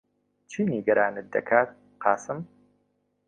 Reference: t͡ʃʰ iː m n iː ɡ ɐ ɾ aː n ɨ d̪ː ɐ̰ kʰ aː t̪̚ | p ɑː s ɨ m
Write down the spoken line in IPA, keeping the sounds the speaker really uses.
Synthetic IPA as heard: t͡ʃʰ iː n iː ɡ ɐ ɾ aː n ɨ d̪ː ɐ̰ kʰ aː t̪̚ | q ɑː s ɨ m